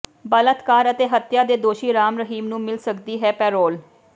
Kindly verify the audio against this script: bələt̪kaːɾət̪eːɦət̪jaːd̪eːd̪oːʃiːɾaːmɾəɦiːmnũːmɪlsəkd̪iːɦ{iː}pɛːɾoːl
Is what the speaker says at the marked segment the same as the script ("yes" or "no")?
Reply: no